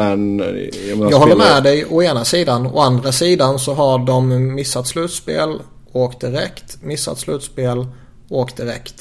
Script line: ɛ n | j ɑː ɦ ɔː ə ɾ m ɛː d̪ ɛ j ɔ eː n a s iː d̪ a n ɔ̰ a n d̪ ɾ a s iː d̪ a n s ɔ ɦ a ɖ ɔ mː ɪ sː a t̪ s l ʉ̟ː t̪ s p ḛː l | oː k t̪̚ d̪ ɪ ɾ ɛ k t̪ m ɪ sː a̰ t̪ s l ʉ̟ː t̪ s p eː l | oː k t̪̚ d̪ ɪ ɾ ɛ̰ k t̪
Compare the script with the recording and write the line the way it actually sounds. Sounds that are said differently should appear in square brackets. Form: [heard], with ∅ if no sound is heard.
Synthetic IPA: ɛ n | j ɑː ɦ ɔː ə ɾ m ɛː d̪ ɛ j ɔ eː n a s iː d̪ a n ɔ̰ a n d̪ ɾ a s iː d̪ a n s ɔ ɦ a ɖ ɔ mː ɪ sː a t̪ s l ʉ̟ː t̪ s p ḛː l | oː k t̪̚ d̪ ɪ ɾ ɛ k t̪ m ɪ sː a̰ t̪ s l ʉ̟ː t̪ s p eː l | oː k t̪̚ d̪ ɪ ɾ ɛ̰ k t̪